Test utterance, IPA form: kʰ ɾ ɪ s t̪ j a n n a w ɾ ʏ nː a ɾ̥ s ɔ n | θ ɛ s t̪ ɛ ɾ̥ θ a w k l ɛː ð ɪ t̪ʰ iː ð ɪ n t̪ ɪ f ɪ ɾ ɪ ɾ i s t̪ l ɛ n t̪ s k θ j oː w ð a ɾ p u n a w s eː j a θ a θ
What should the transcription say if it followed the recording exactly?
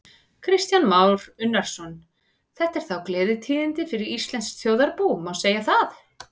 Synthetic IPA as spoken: kʰ ɾ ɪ s t̪ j a n m a w ɾ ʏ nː a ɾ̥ s ɔ n | θ ɛ h t̪ ɛ ɾ̥ θ a w k l ɛː ð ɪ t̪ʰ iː ð ɪ n t̪ ɪ f ɪ ɾ ɪ ɾ i s t̪ l ɛ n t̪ s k θ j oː w ð a ɾ p u m a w s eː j a θ a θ